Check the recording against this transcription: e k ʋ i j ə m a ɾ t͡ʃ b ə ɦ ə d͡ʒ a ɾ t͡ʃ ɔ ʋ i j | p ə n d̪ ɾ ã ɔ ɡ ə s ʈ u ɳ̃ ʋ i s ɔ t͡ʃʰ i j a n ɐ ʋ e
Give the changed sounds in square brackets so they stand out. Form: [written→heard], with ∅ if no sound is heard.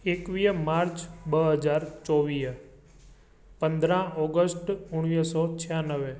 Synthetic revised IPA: e k ʋ i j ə m a ɾ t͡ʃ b ə ɦ ə d͡ʒ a ɾ t͡ʃ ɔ ʋ i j | p ə n d̪ ɾ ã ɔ ɡ ə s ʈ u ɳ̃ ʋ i s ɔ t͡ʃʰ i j a n [ɐ→ə] ʋ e